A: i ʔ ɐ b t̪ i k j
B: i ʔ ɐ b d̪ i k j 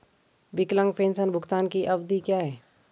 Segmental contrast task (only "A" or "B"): B